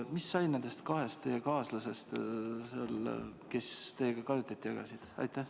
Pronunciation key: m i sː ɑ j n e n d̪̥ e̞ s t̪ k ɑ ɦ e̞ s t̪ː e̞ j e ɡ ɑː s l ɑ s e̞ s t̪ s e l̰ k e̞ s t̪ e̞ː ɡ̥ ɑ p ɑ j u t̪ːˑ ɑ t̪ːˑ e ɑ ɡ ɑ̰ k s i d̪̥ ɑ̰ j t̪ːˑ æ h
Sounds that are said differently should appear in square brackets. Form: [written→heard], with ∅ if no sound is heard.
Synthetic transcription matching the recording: m i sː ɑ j n e n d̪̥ e̞ s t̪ k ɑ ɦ e̞ s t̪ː e̞ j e [ɡ→k] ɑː s l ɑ s e̞ s t̪ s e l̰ k e̞ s t̪ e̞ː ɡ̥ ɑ [p→k] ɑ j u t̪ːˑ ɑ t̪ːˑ [e→i] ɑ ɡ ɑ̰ [k→∅] s i d̪̥ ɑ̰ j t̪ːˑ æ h